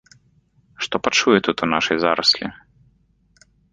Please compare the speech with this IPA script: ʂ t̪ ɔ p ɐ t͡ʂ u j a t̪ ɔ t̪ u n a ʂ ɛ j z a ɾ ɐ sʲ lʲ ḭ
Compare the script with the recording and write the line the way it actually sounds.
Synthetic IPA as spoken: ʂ t̪ ɔ p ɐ t͡ʂ u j ɛ t̪ u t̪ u n a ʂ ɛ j z a ɾ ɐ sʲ lʲ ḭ